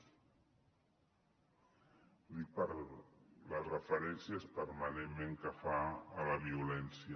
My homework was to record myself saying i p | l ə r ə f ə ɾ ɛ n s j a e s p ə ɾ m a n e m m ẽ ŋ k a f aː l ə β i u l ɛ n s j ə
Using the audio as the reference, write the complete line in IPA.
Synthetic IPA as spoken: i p | l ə r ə f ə ɾ ɛ n s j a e s p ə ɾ m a n e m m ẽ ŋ k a f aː l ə β i u l ɛ n s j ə